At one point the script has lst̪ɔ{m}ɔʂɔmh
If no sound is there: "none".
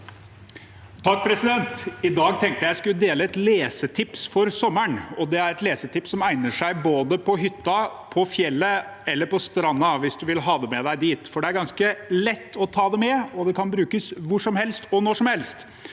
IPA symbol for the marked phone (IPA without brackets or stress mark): n